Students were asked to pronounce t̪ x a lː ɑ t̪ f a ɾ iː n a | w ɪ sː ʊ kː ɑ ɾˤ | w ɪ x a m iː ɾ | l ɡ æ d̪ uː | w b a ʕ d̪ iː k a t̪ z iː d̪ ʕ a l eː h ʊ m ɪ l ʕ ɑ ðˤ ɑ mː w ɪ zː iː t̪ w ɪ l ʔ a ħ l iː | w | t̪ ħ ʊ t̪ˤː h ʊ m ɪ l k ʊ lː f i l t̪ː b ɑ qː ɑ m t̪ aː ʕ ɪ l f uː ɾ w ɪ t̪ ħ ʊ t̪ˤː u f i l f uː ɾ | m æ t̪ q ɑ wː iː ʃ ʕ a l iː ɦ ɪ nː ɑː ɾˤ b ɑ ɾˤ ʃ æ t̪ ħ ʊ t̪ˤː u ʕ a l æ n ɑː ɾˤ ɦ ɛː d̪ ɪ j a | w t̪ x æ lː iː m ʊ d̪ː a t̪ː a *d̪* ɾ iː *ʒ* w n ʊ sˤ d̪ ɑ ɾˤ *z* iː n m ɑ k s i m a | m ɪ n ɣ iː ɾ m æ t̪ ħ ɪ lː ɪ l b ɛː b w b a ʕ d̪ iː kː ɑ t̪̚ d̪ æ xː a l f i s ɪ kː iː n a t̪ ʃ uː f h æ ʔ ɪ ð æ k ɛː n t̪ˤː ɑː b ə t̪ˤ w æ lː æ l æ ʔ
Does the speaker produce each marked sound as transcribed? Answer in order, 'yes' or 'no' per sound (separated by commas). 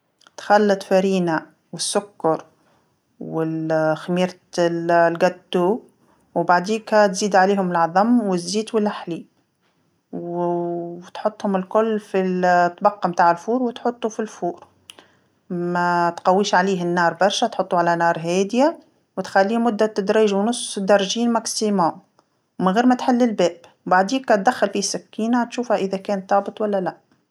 yes, yes, no